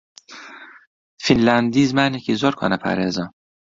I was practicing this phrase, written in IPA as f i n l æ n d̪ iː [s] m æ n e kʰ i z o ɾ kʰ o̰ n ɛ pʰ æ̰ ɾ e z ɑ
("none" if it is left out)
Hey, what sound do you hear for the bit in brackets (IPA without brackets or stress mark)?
z